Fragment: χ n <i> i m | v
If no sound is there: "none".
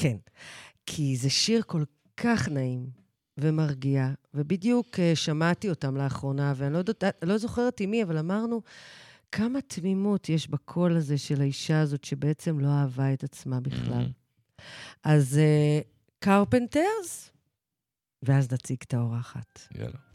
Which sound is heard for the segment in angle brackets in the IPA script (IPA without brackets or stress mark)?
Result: a